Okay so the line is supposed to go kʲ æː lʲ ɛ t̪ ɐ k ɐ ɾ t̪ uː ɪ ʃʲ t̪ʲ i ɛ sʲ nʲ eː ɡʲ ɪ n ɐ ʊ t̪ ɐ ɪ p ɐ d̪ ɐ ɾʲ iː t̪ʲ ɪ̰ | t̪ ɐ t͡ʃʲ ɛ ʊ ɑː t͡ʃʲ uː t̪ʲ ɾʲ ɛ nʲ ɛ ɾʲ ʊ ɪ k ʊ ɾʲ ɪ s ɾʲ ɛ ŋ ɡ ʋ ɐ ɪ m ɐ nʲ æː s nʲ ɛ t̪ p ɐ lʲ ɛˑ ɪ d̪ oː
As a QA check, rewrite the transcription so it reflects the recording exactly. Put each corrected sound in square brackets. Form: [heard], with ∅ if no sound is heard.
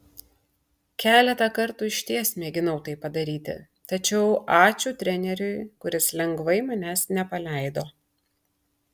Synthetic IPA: kʲ æː lʲ ɛ t̪ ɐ k ɐ ɾ t̪ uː ɪ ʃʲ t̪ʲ i ɛ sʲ [mʲ] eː ɡʲ ɪ n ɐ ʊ t̪ ɐ ɪ p ɐ d̪ ɐ ɾʲ iː t̪ʲ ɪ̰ | t̪ ɐ t͡ʃʲ ɛ ʊ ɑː t͡ʃʲ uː t̪ʲ ɾʲ ɛ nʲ ɛ ɾʲ ʊ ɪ k ʊ ɾʲ ɪ s [lʲ] ɛ ŋ ɡ ʋ ɐ ɪ m ɐ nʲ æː s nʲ ɛ [∅] p ɐ lʲ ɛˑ ɪ d̪ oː